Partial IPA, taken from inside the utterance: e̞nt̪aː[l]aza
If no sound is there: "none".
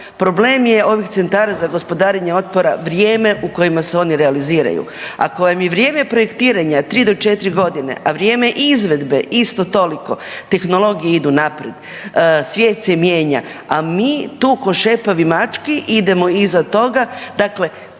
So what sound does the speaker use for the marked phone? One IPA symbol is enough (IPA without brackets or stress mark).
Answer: ɾ